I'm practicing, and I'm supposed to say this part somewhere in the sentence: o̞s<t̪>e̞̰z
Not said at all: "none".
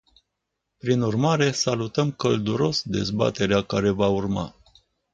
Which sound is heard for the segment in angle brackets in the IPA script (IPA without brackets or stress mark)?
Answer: d̪